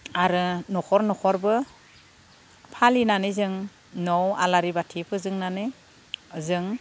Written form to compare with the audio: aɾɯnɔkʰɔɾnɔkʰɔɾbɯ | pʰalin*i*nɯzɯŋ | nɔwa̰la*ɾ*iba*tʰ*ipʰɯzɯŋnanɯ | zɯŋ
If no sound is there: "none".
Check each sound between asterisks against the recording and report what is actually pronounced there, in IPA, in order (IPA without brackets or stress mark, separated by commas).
a, ɾ, tʰ